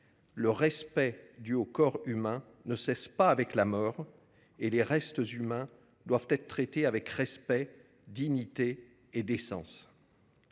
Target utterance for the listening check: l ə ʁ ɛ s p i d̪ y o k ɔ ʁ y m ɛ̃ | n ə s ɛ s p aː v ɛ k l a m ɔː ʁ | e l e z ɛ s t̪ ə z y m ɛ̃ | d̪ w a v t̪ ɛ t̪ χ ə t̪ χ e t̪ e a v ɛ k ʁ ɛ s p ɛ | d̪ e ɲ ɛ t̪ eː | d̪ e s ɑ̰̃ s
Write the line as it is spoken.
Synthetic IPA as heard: l ə ʁ ɛ s p ɛ d̪ y o k ɔ ʁ y m ɛ̃ | n ə s ɛ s p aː v ɛ k l a m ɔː ʁ | e l e ʁ ɛ s t̪ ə z y m ɛ̃ | d̪ w a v t̪ ɛ t̪ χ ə t̪ χ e t̪ e a v ɛ k ʁ ɛ s p ɛ | d̪ i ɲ i t̪ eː | d̪ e s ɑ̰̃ s

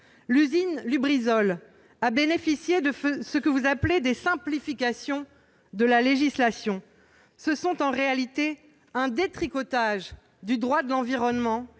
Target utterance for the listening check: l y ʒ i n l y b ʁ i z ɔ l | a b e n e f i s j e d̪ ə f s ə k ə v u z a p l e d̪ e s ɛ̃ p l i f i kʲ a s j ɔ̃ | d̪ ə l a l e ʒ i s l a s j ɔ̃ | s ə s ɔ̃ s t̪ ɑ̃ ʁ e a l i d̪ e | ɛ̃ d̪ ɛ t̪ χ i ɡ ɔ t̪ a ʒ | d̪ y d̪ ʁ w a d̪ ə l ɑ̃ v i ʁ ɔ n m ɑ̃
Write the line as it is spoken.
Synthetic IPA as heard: l y z i n l y b ʁ i z ɔ l | a b e n e f i s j e d̪ ə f s ə k ə v u z a p l e d̪ e s ɛ̃ p l i f i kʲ a s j ɔ̃ | d̪ ə l a l e ʒ i s l a s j ɔ̃ | s ə s ɔ̃ t̪ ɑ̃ ʁ e a l i t̪ e | ɛ̃ d̪ e t̪ χ i k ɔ t̪ a ʒ | d̪ y d̪ ʁ w a d̪ ə l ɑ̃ v i ʁ ɔ n m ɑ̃

